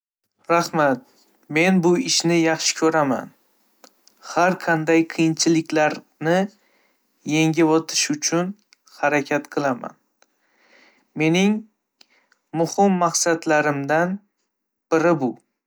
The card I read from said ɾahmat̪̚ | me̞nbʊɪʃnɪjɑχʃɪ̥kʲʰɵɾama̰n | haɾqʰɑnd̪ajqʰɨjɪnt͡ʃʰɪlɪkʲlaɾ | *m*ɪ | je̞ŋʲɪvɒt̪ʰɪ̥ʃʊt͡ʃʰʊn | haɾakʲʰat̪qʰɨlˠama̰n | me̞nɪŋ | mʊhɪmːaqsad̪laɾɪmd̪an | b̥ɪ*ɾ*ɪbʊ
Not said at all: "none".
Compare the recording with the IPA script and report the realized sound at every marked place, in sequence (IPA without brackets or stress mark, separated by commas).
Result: n, ɾ